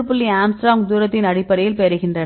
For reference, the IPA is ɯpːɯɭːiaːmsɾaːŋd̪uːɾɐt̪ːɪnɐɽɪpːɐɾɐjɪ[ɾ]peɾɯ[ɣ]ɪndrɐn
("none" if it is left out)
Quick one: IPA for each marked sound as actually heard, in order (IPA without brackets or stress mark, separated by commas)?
l, ɣ